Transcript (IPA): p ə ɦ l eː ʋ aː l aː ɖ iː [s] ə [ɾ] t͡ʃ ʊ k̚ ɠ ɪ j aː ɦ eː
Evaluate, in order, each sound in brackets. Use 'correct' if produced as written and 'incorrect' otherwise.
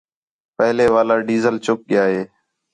incorrect: z, incorrect: l

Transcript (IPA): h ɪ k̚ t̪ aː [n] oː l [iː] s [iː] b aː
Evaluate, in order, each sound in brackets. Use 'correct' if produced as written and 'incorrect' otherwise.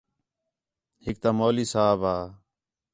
incorrect: m, correct, incorrect: aː

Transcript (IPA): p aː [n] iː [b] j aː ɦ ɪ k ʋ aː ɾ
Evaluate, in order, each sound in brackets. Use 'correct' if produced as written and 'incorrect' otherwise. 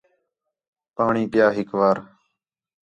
incorrect: ɳ, incorrect: p

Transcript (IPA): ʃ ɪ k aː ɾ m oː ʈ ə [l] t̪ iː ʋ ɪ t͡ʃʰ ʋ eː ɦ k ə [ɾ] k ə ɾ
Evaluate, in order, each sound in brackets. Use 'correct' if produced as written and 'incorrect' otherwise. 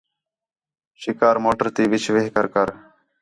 incorrect: ɾ, correct

